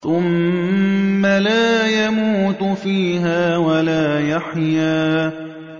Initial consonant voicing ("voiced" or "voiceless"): voiceless